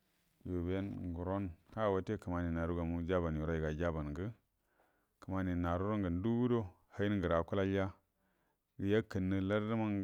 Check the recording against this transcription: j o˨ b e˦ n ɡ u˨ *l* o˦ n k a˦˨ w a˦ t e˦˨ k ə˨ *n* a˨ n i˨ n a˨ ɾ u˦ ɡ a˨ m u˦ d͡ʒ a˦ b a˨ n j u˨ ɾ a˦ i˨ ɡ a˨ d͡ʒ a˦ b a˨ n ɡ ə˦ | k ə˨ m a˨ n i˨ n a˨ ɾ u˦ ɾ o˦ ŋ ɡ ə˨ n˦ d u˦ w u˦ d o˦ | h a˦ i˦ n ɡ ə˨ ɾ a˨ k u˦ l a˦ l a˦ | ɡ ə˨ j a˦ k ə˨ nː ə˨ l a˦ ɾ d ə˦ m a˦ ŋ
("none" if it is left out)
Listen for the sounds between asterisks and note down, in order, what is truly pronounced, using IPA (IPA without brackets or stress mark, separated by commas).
ɾ, m